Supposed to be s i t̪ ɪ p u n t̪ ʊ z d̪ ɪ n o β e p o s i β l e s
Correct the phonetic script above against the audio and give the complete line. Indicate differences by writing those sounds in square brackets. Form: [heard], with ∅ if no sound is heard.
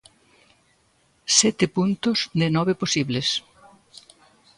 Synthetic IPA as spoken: s [ɛ] t̪ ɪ p u n t̪ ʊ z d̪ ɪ n [ɔ] β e p o s i β l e s

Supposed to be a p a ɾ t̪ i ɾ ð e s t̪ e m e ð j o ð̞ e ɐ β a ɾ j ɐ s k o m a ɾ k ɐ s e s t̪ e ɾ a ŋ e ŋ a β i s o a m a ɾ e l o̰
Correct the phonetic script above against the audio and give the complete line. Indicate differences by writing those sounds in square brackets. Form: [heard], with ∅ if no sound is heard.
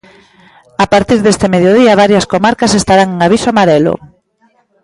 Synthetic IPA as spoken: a p a ɾ t̪ i ɾ ð e s t̪ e m e ð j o ð̞ [i] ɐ β a ɾ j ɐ s k o m a ɾ k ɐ s e s t̪ [a] ɾ a ŋ e ŋ a β i s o a m a ɾ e l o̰

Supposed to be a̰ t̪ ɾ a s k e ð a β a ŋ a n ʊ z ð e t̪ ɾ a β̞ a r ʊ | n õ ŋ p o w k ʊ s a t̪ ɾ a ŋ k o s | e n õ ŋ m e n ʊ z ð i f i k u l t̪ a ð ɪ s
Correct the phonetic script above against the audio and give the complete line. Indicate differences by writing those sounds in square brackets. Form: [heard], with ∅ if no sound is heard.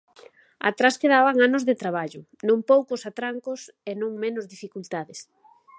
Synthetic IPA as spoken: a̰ t̪ ɾ a s k e ð a β a ŋ a n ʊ z ð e t̪ ɾ a β̞ a [ʎ] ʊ | n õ ŋ p o w k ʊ s a t̪ ɾ a ŋ k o s | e n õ ŋ m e n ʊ z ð i f i k u l t̪ a ð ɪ s

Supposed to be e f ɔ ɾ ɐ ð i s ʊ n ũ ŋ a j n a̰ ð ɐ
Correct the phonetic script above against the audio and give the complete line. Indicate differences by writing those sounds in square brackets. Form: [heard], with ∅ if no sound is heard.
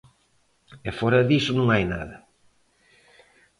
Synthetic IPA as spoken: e f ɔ ɾ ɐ ð i s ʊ n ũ ŋ a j n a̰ ð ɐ

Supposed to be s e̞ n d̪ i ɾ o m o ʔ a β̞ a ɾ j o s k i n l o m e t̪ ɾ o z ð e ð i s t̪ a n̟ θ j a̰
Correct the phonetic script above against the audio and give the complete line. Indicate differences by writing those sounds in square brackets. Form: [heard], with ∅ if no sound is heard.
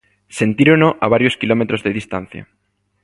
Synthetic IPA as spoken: s e̞ n [t̪] i ɾ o [n] o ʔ a β̞ a ɾ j o s k i [∅] l o m e t̪ ɾ o z ð e ð i s t̪ a n̟ θ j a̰

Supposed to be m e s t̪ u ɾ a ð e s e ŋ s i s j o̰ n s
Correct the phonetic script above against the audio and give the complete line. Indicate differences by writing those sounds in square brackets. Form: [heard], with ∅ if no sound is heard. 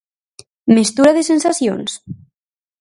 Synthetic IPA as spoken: m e s t̪ u ɾ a ð e s e [n] s [a] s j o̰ n s

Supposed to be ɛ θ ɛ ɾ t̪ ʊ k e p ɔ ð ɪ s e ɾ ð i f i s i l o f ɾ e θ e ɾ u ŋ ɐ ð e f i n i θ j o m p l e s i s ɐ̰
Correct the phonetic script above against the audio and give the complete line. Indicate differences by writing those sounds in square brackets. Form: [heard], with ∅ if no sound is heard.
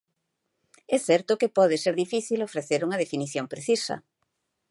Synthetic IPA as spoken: ɛ θ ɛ ɾ t̪ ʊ k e p ɔ ð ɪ s e ɾ ð i f i [θ] i l o f ɾ e θ e ɾ u ŋ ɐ ð e f i n i θ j o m p [ɾ] e [θ] i s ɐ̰

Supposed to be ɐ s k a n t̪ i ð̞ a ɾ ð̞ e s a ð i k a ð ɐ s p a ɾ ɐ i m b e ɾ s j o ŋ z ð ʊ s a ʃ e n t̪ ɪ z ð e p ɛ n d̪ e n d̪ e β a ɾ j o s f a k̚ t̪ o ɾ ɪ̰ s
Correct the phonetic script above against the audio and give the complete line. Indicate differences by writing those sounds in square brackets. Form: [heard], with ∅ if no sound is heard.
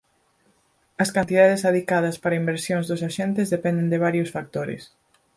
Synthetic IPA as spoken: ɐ s k a n t̪ i ð̞ a [∅] ð̞ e s a ð i k a ð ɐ s p a ɾ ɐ i m b e ɾ s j o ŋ z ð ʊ s a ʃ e n t̪ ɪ z ð e p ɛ n d̪ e n d̪ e β a ɾ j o s f a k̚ t̪ o ɾ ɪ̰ s

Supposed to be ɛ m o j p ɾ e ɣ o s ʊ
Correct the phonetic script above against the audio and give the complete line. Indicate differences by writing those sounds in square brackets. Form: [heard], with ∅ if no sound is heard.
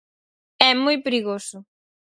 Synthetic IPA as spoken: ɛ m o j p ɾ [i] ɣ o s ʊ

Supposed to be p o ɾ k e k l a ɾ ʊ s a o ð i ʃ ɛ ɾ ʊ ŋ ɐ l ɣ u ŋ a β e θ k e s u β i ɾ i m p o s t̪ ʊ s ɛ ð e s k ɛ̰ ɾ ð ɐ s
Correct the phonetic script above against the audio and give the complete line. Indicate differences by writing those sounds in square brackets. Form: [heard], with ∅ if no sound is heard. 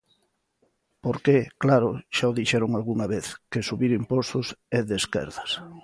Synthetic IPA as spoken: p o ɾ k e k l a ɾ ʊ [ʃ] a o ð i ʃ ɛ ɾ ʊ ŋ [a] l ɣ u ŋ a β e θ k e s u β i ɾ i m p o s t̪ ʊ s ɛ ð e s k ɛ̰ ɾ ð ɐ s

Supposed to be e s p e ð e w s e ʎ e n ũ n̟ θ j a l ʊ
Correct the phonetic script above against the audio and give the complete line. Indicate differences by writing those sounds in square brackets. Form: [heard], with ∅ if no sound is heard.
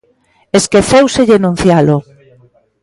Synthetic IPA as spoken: e s [k] e [θ] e w s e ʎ e n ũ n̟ θ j a l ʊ

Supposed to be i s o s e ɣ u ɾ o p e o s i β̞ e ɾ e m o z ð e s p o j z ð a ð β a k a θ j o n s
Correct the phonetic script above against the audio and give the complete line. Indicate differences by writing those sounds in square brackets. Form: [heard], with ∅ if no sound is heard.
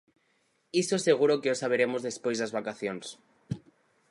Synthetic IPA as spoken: i s o s e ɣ u ɾ o [k] e o s [a] β̞ e ɾ e m o z ð e s p o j z ð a [z] β a k a θ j o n s

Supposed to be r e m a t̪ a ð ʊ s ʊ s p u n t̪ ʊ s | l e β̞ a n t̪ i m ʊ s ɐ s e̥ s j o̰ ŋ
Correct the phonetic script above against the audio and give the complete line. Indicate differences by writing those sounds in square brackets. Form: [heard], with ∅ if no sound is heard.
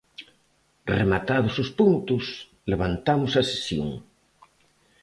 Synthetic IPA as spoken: r e m a t̪ a ð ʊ s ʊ s p u n t̪ ʊ s | l e β̞ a n t̪ [a] m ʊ s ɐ s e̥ s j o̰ ŋ

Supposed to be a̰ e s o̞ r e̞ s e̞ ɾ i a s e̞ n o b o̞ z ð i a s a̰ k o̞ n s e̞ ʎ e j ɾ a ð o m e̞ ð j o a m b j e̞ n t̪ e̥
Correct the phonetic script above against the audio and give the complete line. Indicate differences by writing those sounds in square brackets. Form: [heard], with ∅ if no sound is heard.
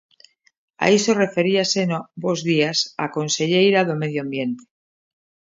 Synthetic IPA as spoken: a̰ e s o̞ r e̞ [f] e̞ ɾ i a s e̞ n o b o̞ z ð i a s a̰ k o̞ n s e̞ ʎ e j ɾ a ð o m e̞ ð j o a m b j e̞ n t̪ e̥

